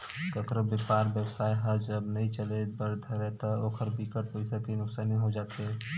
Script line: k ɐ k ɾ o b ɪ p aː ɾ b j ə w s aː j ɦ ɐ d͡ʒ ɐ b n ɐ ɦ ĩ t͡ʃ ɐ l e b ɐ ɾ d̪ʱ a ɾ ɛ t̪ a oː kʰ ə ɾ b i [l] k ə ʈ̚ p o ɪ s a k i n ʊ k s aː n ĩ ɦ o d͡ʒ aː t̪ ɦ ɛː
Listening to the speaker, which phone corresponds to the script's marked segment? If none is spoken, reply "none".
none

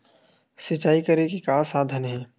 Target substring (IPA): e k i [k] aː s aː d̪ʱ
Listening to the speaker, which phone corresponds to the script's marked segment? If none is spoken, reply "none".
k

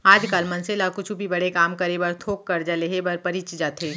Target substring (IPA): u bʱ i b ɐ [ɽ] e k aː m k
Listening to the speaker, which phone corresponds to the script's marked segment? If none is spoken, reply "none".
ɽ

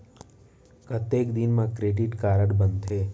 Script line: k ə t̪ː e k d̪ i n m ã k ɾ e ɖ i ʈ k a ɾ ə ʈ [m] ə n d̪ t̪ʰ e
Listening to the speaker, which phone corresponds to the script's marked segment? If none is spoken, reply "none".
b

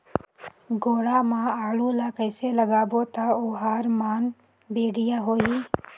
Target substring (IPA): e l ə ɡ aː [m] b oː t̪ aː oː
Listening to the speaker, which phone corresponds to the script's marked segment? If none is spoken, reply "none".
none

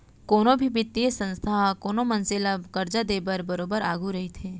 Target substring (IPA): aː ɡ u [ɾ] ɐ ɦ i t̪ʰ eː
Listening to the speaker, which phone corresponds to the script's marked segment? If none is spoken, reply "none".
ɾ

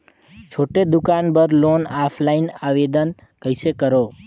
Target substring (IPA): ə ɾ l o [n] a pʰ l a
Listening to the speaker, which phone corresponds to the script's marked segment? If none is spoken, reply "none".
n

